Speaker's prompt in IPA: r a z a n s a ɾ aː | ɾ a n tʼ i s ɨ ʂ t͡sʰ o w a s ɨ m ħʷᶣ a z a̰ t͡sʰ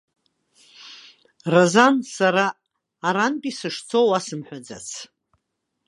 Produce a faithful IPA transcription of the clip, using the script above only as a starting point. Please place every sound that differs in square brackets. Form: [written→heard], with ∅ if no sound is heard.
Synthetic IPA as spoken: r a z a n s a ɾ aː | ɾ a n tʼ i s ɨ ʂ t͡sʰ o w a s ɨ m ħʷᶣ a [z→d͡z] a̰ t͡sʰ